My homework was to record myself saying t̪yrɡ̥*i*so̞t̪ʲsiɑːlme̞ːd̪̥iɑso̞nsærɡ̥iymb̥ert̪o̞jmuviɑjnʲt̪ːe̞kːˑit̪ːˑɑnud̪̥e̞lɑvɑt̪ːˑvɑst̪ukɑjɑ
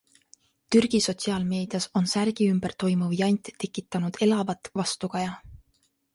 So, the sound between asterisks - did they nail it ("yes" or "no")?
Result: yes